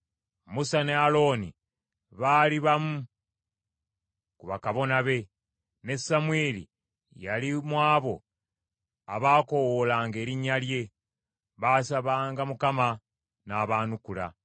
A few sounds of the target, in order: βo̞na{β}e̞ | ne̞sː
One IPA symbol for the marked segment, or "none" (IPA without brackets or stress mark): β